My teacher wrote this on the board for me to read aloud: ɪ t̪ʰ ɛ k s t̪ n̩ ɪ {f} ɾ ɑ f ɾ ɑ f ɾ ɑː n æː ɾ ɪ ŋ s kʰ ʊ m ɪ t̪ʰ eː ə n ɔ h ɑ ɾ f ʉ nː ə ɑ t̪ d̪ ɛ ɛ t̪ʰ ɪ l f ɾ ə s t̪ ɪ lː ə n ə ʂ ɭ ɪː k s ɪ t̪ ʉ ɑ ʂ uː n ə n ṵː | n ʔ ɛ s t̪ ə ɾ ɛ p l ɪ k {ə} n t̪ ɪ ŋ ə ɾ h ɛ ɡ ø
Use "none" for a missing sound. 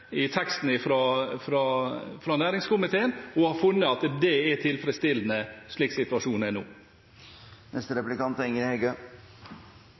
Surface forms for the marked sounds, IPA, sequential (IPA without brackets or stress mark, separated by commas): f, ɑ